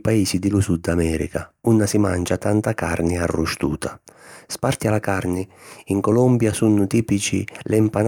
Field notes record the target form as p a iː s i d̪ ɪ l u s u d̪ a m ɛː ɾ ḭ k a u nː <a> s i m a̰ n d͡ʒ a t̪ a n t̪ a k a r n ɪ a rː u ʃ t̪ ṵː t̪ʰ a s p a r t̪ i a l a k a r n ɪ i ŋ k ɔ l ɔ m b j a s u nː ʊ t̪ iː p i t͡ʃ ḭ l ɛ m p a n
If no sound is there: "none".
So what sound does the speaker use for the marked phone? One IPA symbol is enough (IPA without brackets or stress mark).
a